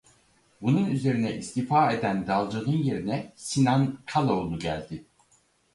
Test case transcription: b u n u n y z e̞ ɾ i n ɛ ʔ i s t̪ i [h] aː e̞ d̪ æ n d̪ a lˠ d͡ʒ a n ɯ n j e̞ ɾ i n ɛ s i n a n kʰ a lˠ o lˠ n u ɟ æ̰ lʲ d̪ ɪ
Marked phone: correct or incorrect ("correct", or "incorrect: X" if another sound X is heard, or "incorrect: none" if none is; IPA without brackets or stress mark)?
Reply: incorrect: f